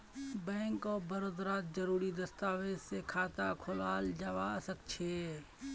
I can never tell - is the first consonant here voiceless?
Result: no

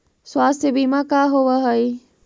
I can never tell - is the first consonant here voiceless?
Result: yes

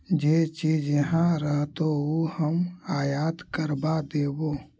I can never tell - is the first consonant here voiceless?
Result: no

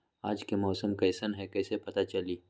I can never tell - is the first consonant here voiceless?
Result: no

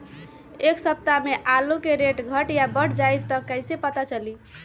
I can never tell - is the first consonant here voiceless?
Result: yes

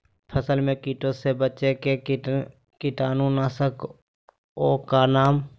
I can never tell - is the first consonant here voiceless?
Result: yes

